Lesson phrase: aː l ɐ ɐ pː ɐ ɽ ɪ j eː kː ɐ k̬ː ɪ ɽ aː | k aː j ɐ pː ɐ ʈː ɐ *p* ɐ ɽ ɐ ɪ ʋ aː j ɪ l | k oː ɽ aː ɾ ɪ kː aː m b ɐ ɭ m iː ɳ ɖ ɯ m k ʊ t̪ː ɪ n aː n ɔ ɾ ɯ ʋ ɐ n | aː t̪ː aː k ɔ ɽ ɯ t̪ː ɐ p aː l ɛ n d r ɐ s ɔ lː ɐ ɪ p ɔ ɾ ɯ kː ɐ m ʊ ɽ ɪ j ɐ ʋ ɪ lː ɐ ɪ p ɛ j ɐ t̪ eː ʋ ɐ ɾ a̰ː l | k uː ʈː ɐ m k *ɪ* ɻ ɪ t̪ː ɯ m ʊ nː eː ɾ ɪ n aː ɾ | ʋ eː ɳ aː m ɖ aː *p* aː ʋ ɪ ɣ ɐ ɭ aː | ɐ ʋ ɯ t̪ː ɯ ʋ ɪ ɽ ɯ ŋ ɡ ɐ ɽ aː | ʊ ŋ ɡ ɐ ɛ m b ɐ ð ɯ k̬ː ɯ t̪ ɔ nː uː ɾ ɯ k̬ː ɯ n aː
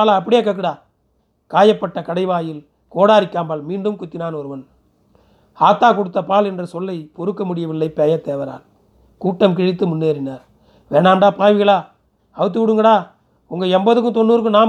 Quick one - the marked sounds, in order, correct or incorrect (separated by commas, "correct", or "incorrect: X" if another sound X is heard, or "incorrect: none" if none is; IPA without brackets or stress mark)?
incorrect: k, correct, correct